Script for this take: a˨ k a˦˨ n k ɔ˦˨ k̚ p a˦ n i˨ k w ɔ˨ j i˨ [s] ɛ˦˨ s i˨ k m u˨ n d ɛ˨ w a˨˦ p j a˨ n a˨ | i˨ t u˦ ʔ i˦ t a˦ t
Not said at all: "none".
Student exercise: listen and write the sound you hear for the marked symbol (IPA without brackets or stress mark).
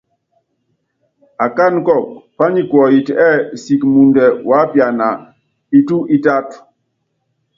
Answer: t